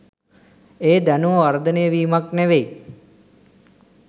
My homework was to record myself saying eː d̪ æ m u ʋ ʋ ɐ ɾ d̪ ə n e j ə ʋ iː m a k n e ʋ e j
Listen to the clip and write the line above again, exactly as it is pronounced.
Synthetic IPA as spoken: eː d̪ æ n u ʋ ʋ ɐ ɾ d̪ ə n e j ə ʋ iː m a k n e ʋ e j

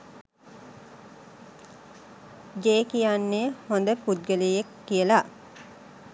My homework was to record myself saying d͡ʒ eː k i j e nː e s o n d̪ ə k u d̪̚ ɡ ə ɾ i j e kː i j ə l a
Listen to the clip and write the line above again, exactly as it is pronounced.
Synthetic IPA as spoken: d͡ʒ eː k i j a nː e h o n d̪ ə p u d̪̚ ɡ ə l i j e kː i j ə l a

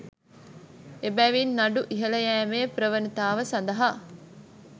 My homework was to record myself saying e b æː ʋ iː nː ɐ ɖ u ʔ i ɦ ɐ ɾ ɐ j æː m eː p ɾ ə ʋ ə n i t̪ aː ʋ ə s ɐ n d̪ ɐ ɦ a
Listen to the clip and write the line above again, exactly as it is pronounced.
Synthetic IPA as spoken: e b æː ʋ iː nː ɐ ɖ u ʔ i ɦ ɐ l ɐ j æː m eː p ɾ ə ʋ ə n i t̪ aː ʋ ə s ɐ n d̪ ɐ ɦ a

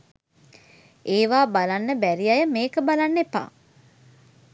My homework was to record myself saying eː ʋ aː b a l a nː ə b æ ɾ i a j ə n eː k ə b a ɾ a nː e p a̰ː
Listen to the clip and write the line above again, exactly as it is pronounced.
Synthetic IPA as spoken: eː ʋ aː b a l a nː ə b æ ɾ i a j ə m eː k ə b a l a nː e p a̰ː

